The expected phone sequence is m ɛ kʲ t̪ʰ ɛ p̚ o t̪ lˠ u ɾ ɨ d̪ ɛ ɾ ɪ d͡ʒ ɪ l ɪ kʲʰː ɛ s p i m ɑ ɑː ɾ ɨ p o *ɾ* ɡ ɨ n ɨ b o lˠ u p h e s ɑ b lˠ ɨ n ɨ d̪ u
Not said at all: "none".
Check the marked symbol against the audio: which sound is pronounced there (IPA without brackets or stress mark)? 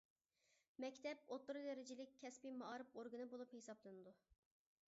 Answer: ɾ